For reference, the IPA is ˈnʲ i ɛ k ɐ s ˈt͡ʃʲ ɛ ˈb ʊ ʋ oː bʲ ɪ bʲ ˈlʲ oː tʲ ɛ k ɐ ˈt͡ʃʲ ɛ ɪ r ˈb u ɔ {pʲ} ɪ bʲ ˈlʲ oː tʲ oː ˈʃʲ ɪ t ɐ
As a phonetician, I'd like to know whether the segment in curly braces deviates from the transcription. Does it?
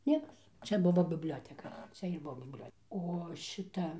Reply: yes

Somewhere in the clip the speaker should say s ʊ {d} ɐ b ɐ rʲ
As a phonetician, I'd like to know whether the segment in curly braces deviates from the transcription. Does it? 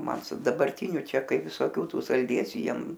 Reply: no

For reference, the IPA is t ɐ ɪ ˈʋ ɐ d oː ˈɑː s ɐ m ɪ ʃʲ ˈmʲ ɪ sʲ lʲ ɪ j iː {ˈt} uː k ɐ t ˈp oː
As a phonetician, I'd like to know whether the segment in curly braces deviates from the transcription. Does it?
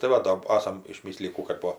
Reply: yes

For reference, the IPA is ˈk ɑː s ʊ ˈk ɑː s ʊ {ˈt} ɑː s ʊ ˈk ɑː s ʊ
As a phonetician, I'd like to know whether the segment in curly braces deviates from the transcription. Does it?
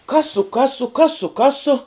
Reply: yes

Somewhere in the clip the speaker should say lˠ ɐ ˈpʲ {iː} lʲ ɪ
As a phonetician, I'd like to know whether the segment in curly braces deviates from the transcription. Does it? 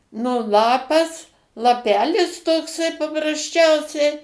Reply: yes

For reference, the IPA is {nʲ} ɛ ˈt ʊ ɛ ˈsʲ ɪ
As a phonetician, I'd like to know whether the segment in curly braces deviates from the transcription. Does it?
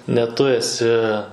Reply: no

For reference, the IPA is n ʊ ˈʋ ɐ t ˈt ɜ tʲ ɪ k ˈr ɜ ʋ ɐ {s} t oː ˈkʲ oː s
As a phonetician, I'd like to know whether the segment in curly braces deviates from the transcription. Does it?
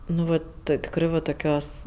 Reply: yes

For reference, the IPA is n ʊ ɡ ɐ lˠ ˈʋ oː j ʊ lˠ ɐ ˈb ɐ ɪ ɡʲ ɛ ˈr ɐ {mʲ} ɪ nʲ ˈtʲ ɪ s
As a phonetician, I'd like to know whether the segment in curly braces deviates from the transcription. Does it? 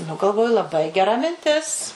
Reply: no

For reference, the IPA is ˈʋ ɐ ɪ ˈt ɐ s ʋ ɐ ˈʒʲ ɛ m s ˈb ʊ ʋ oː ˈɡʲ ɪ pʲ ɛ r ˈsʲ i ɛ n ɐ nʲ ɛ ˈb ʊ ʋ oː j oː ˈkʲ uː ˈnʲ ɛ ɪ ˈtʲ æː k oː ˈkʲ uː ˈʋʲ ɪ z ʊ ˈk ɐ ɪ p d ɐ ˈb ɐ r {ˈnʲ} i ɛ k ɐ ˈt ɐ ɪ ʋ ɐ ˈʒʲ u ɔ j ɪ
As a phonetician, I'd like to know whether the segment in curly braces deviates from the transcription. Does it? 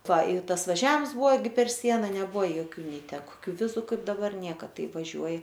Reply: no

